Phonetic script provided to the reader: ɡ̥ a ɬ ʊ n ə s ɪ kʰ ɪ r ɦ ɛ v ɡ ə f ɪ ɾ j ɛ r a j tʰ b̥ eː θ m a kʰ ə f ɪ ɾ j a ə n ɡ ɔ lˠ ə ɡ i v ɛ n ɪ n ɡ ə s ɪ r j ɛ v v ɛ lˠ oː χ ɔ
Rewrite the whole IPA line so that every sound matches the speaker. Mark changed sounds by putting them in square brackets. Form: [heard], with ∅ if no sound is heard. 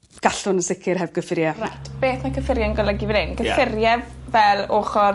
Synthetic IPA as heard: ɡ̥ a ɬ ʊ n ə s ɪ kʰ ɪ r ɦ ɛ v ɡ ə f ɪ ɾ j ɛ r a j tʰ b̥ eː θ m a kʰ ə f ɪ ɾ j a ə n ɡ ɔ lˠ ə ɡ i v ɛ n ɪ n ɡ ə [f] ɪ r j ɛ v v ɛ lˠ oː χ ɔ